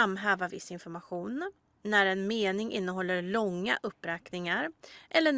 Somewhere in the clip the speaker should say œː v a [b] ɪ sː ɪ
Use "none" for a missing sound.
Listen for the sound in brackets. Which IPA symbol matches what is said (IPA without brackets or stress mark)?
v